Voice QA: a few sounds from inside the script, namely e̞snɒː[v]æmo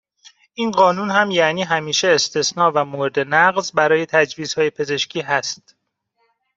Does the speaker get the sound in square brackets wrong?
no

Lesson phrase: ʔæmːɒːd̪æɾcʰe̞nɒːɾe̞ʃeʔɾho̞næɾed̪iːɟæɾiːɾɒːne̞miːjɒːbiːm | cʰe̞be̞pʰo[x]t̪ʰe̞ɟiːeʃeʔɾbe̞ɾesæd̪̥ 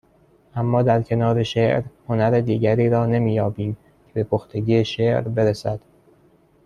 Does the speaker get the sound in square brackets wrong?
no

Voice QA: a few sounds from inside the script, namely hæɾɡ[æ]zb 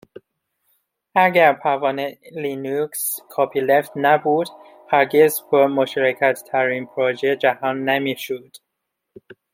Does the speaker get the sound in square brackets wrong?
yes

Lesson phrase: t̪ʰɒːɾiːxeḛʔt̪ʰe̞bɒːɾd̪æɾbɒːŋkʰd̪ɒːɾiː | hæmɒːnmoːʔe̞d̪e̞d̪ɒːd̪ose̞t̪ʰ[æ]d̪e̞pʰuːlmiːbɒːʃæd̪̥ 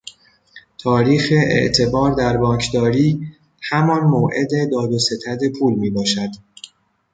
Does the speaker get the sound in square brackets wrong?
no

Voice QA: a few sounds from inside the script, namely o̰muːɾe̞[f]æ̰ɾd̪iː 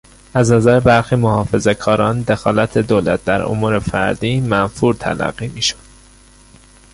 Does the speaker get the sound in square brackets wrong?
no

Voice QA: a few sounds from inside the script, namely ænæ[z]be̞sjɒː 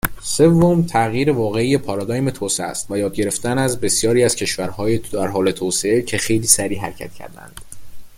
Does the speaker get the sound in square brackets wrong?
no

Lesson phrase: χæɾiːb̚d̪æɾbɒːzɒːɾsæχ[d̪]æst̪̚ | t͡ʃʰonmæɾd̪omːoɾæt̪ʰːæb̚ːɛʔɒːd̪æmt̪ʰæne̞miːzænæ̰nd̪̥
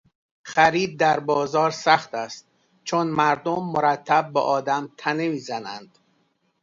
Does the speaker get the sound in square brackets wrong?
yes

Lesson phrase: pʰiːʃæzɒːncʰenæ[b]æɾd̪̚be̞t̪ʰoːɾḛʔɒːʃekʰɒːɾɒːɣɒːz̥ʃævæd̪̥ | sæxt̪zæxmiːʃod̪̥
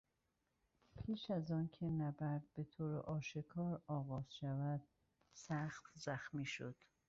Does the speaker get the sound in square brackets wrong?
no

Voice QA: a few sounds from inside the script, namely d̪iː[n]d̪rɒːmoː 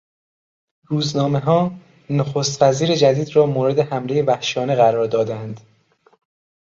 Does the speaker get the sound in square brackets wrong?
yes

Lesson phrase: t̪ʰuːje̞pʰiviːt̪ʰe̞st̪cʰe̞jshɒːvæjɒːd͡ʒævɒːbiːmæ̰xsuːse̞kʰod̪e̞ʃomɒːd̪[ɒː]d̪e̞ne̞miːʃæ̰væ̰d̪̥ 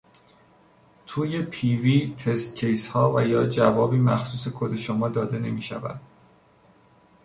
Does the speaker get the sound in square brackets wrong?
no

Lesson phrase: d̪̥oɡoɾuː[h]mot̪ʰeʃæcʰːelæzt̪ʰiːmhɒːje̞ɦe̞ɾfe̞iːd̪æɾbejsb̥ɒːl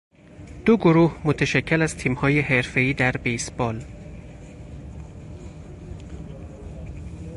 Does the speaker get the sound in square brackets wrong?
no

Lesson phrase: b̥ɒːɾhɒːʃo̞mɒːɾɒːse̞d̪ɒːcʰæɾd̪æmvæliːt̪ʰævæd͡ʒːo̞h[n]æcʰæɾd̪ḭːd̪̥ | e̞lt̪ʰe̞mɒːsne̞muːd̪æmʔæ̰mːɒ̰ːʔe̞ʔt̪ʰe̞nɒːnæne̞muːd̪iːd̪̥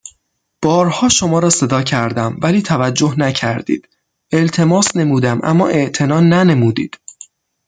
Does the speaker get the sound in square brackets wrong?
no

